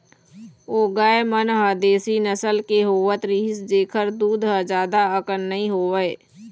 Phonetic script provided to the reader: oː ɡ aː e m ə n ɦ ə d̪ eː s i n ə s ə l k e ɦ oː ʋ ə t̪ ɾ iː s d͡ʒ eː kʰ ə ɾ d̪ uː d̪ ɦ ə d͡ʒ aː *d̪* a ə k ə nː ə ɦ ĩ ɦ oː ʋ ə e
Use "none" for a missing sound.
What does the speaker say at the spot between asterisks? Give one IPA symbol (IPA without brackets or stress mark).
d̪